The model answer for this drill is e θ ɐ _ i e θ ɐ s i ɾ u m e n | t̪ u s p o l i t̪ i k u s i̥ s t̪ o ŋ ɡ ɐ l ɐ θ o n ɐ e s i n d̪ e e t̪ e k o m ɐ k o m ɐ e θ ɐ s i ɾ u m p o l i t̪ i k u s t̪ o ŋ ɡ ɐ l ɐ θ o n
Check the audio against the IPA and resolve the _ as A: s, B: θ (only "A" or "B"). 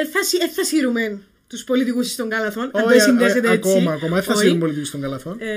A